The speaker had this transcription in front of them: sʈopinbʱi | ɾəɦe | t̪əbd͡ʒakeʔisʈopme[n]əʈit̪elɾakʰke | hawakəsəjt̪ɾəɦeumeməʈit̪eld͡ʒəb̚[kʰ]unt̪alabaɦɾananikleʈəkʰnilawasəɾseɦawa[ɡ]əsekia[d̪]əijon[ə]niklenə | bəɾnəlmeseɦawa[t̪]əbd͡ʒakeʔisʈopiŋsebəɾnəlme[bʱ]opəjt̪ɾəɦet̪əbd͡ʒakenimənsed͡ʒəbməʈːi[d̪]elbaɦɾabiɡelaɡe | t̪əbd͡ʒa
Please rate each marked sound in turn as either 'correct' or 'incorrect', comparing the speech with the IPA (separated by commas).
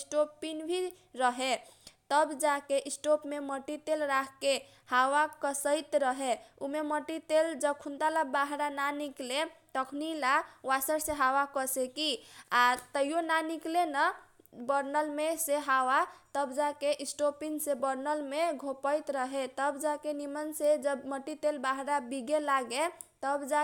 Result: incorrect, correct, incorrect, incorrect, incorrect, correct, incorrect, incorrect